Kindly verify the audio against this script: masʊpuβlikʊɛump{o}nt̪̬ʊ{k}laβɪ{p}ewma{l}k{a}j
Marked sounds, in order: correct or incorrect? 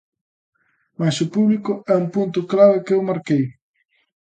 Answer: incorrect, correct, incorrect, incorrect, incorrect

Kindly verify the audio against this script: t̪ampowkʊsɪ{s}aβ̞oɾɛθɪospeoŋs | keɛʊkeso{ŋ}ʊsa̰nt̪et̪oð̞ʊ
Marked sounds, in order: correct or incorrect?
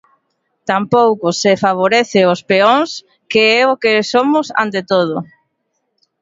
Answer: incorrect, incorrect

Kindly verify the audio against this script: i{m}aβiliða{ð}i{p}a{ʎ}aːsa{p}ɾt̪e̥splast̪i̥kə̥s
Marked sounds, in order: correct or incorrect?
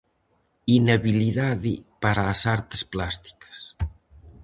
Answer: incorrect, correct, correct, incorrect, incorrect

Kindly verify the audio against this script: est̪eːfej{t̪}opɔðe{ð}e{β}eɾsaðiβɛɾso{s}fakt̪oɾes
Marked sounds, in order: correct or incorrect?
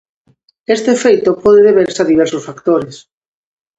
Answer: correct, correct, correct, correct

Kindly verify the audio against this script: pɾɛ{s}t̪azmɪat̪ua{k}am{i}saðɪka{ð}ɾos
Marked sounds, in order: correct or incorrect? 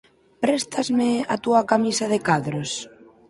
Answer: correct, correct, correct, correct

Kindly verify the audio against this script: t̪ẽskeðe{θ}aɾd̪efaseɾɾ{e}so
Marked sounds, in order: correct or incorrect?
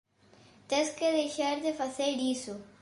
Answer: incorrect, incorrect

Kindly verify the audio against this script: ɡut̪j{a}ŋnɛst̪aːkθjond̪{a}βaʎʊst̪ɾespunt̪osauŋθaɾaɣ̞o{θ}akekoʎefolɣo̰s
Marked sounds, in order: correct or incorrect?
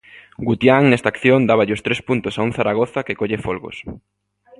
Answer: correct, correct, correct

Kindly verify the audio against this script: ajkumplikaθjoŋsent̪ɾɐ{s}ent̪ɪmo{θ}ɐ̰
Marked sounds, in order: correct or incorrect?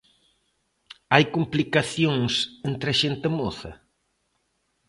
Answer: incorrect, correct

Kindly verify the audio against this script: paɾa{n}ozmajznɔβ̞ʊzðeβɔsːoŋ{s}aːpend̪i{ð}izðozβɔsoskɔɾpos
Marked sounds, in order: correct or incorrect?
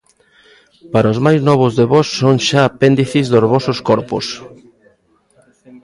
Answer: incorrect, incorrect, incorrect

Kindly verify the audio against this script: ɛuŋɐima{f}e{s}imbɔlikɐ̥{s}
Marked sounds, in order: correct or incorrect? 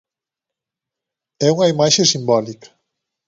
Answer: incorrect, correct, incorrect

